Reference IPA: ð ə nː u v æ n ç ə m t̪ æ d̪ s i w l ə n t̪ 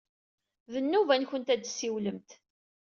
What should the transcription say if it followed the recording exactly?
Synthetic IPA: ð ə nː u v æ n ç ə n t̪ æ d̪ s i w l ə m t̪